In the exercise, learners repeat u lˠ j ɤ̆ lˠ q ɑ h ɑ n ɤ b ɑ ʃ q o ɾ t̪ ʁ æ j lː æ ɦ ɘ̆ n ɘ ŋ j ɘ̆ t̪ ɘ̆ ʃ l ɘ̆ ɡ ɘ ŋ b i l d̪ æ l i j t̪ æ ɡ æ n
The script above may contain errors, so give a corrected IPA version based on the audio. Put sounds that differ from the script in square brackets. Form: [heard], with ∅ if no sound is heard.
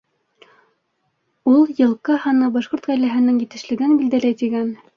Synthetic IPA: u lˠ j ɤ̆ lˠ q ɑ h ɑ n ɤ b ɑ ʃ q o ɾ t̪ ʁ æ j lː æ ɦ ɘ̆ n ɘ ŋ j ɘ̆ t̪ ɘ̆ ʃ l ɘ̆ ɡ ɘ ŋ b i l d̪ æ l [æ] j t̪ [i] ɡ æ n